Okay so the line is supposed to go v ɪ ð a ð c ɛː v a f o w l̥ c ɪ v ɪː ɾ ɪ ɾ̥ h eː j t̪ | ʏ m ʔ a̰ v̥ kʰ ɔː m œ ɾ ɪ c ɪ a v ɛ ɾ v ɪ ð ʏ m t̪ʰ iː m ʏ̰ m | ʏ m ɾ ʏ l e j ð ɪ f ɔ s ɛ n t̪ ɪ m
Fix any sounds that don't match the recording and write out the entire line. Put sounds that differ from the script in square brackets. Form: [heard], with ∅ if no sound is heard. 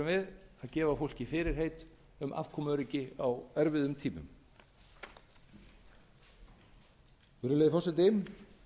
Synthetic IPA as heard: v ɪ ð a ð c ɛː v a f o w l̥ c ɪ [f] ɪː ɾ ɪ ɾ̥ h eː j t̪ | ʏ m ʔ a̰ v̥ kʰ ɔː m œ ɾ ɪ c ɪ a [w] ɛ ɾ v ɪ ð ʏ m t̪ʰ iː m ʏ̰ m | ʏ [∅] ɾ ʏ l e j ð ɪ f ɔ s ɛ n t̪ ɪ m